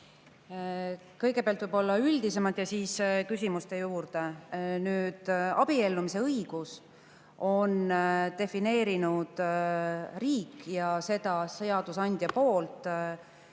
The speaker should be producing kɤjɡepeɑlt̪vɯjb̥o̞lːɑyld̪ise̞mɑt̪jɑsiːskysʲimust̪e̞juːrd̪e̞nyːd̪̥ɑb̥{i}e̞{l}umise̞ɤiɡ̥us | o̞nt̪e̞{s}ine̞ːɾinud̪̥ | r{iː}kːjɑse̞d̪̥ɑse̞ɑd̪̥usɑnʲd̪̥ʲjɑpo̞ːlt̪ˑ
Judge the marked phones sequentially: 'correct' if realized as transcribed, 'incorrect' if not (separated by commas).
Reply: correct, incorrect, incorrect, correct